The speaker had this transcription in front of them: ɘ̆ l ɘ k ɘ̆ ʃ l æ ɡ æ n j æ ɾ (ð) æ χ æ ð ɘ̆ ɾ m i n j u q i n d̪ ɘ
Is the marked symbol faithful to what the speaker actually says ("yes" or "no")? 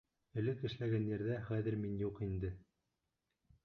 yes